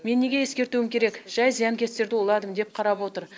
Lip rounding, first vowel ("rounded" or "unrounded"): unrounded